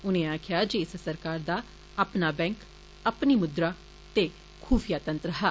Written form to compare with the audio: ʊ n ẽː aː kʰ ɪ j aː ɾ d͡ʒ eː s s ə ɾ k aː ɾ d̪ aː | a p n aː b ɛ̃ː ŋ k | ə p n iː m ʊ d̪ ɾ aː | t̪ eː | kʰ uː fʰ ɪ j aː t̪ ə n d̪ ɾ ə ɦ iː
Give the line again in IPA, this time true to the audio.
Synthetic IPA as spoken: ʊ n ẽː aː kʰ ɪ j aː d͡ʒ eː s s ə ɾ k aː ɾ d̪ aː | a p n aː b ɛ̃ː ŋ k | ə p n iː m ʊ d̪ ɾ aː | t̪ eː | kʰ uː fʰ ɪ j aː t̪ ə n t̪ ɾ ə ɦ aː